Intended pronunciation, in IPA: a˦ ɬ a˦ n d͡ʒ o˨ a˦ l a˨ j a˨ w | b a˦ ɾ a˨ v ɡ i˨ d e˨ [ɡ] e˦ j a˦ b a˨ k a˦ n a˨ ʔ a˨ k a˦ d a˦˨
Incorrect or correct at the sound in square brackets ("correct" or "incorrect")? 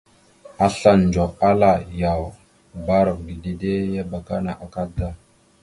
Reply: incorrect